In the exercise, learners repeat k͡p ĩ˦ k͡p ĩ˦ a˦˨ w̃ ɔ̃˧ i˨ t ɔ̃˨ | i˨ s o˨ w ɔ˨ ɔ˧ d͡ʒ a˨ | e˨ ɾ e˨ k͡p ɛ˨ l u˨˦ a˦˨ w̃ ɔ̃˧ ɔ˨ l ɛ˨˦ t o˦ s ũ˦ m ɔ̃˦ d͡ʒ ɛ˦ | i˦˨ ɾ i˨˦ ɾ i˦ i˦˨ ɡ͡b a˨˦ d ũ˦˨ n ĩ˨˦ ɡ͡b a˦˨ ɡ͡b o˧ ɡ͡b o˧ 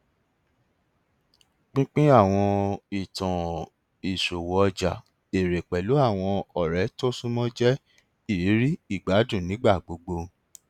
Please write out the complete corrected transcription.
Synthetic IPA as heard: k͡p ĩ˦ k͡p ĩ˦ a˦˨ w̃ ɔ̃˧ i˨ t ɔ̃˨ | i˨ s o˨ w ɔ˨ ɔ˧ d͡ʒ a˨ | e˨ ɾ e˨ k͡p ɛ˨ l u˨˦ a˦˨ w̃ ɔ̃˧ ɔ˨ ɾ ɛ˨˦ t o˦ s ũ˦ m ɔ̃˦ d͡ʒ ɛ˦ | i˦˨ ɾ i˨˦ ɾ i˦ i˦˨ ɡ͡b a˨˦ d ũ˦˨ n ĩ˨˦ ɡ͡b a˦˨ ɡ͡b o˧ ɡ͡b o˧